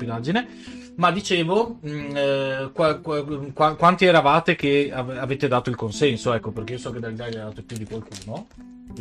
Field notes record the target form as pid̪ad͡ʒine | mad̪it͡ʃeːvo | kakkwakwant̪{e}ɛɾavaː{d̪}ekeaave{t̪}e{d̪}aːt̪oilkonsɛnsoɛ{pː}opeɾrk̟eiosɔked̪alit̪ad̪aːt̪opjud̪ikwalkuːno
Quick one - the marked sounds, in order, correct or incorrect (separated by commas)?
incorrect, incorrect, correct, correct, incorrect